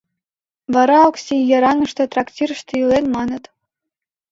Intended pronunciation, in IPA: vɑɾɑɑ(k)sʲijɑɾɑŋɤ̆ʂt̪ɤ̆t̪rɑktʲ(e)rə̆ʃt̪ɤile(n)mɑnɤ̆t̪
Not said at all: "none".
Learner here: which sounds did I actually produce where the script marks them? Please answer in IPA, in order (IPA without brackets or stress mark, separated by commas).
k, i, n